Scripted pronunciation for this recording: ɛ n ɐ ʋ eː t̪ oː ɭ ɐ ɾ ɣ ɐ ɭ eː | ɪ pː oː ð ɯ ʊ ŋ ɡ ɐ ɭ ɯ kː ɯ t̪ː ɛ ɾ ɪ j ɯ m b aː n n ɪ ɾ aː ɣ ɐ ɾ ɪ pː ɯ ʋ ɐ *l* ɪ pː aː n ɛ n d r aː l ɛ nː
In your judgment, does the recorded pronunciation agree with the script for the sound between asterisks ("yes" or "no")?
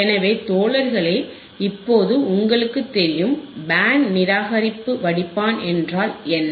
no